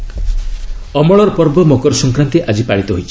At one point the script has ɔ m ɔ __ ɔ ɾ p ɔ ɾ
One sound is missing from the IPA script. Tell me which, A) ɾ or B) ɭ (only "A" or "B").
B